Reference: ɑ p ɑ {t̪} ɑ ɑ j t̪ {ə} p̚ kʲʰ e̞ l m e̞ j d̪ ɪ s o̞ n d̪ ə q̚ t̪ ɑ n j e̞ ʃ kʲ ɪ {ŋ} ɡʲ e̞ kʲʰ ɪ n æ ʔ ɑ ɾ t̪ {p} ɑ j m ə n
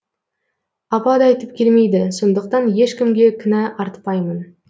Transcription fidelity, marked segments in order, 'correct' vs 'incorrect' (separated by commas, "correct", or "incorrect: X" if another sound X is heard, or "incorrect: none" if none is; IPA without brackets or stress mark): incorrect: d̪, correct, incorrect: m, correct